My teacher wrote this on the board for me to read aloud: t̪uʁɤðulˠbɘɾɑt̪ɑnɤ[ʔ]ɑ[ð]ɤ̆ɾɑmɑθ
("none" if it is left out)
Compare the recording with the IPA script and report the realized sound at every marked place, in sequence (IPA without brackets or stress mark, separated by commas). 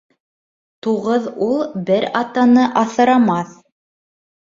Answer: ʔ, θ